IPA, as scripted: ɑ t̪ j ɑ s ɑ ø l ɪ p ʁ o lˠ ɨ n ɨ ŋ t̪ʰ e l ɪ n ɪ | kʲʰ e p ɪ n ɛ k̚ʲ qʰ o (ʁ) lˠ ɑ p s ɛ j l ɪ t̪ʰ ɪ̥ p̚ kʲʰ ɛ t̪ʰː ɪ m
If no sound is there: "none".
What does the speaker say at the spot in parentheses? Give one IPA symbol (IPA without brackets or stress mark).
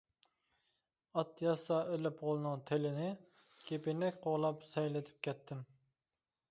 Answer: ʁ